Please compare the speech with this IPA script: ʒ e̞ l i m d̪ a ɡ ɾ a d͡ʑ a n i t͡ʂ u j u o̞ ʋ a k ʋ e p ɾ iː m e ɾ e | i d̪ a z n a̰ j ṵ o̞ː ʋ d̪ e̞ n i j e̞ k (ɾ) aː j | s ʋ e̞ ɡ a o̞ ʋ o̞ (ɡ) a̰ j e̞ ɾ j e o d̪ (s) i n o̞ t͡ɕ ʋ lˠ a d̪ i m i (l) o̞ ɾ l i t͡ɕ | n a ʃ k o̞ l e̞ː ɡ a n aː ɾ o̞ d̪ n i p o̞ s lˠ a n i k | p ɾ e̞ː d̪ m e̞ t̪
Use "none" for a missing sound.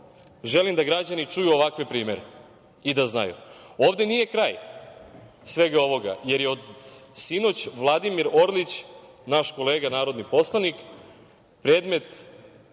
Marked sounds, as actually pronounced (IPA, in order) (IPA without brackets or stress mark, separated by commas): ɾ, ɡ, s, ɾ